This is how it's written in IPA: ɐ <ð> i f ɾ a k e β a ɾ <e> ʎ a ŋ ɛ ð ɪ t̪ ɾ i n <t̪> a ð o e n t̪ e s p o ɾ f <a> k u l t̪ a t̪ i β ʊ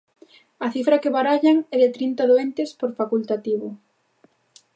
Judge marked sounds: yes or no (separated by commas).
no, no, yes, yes